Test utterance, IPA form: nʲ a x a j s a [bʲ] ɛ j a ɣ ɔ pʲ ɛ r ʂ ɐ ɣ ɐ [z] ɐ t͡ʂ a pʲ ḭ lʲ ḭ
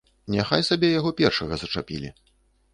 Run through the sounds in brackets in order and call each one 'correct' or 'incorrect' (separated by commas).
correct, correct